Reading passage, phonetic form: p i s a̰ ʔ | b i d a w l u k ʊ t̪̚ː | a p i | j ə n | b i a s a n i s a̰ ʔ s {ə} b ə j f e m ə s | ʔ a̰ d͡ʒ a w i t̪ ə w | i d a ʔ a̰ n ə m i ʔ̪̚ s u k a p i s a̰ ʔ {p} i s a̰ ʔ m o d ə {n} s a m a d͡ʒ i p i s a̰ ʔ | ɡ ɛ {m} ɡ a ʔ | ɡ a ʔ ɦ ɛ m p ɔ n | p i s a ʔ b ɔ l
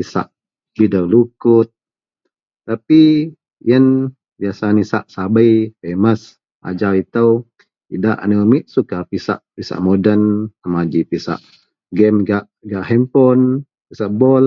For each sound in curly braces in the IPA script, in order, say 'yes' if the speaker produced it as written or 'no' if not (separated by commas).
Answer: no, yes, yes, yes